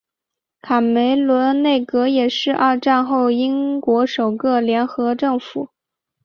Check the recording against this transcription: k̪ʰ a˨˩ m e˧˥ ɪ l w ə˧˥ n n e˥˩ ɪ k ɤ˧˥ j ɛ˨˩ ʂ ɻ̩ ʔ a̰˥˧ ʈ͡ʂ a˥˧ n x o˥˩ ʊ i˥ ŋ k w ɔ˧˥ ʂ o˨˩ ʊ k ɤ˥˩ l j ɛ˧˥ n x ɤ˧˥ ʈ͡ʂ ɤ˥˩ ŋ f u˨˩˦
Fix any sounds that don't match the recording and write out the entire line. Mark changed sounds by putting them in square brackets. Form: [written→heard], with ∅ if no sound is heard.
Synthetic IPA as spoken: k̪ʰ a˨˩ m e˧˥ ɪ l w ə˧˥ n n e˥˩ ɪ k ɤ˧˥ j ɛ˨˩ ʂ ɻ̩ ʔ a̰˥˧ ʈ͡ʂ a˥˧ n x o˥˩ ʊ i˥ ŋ k w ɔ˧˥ ʂ o˨˩ ʊ k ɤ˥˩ l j ɛ˧˥ n x ɤ˧˥ ʈ͡ʂ ɤ˥˩ ŋ f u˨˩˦